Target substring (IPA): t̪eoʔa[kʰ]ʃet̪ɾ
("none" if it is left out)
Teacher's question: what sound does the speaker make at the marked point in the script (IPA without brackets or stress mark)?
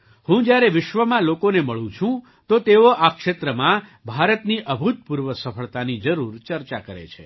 k